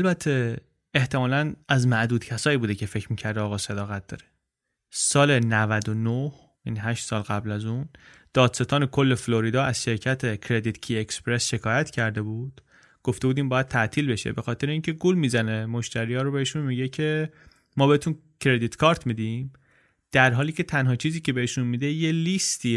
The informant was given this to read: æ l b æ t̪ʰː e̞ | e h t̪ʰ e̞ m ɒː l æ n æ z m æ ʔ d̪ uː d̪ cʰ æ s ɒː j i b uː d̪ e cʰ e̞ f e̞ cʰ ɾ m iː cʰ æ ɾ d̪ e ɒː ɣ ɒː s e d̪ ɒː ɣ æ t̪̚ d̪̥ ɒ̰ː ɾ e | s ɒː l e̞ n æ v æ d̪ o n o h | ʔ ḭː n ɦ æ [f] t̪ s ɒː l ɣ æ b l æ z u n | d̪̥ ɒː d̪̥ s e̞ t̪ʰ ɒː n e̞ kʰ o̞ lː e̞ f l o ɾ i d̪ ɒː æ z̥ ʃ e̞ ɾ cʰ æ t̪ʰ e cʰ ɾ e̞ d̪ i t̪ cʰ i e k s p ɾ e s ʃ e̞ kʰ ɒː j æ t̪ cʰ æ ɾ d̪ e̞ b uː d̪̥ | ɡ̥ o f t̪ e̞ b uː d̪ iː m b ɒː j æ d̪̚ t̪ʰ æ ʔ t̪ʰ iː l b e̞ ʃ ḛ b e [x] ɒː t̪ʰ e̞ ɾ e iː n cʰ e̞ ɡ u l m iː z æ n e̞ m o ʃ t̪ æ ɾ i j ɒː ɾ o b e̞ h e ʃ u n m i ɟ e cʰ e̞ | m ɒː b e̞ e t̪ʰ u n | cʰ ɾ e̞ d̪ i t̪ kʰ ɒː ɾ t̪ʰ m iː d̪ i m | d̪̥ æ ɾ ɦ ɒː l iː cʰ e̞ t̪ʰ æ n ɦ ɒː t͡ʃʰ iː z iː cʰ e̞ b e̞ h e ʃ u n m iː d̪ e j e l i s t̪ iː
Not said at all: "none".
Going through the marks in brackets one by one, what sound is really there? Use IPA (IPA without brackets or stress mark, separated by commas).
ʃ, x